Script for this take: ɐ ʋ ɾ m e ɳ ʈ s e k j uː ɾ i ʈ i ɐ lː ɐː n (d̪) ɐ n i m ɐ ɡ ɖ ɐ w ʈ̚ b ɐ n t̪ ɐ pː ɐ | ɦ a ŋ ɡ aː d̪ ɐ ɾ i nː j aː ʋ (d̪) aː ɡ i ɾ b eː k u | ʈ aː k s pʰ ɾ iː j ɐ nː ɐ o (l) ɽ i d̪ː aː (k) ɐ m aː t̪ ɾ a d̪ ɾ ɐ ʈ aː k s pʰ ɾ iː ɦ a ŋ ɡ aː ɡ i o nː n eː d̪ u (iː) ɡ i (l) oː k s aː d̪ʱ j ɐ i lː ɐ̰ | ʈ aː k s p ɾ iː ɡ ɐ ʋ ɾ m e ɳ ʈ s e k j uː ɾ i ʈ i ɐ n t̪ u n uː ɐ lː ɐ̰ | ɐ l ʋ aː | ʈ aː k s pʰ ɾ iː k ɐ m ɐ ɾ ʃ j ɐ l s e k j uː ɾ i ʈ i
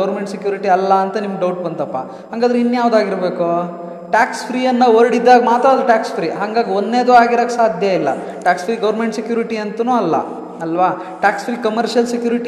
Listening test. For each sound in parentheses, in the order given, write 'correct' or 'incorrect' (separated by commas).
incorrect, correct, incorrect, incorrect, incorrect, incorrect